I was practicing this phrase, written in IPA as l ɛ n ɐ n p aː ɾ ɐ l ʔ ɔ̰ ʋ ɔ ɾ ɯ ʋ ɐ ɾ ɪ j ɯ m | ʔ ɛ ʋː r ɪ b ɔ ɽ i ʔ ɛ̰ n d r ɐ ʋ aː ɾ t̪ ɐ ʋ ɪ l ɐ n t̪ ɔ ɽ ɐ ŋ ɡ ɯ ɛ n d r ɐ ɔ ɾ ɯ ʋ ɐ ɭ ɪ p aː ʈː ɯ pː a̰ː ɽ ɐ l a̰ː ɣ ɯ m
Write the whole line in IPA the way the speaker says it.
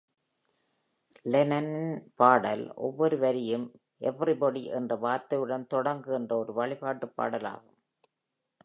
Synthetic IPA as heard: l ɛ n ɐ n p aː ɽ ɐ l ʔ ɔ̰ ʋː ɔ ɾ ɯ ʋ ɐ ɾ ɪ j ɯ m | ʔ ɛ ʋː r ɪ b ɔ ɽ i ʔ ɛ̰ n d r ɐ ʋ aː ɾ t̪ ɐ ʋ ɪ ɽ ɐ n t̪ ɔ ɽ ɐ ŋ ɡ ɯ ɛ n d r ɐ ɔ ɾ ɯ ʋ ɐ ɭ ɪ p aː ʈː ɯ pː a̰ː ɽ ɐ l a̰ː ɣ ɯ m